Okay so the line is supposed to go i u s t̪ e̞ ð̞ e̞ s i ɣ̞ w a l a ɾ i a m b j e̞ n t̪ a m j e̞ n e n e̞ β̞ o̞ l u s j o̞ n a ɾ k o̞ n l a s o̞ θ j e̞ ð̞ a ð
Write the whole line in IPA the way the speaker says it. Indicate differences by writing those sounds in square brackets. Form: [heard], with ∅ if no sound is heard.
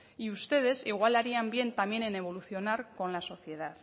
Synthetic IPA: i u s t̪ e̞ ð̞ e̞ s i ɣ̞ w a l a ɾ i a m b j e̞ n t̪ a m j e̞ n e n e̞ β̞ o̞ l u [θ] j o̞ n a ɾ k o̞ n l a s o̞ θ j e̞ ð̞ a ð